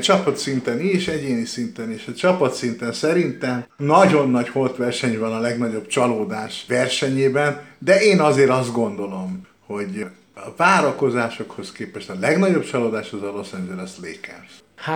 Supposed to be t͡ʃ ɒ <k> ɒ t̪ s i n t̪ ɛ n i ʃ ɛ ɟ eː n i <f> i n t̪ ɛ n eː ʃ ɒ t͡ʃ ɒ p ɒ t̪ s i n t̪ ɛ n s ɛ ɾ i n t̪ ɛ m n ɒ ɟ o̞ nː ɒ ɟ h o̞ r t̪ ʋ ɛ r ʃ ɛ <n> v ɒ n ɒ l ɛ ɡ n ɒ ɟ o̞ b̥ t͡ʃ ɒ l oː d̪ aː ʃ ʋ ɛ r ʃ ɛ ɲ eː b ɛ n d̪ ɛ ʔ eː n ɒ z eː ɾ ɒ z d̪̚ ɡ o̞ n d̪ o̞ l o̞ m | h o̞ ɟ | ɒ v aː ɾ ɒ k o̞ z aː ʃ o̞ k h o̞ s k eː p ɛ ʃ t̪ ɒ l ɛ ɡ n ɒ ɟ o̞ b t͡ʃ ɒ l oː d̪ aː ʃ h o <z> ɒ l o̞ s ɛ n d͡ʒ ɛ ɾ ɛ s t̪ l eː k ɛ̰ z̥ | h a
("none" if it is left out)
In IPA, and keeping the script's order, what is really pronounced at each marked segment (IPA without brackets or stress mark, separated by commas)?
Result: p, s, ɲ, z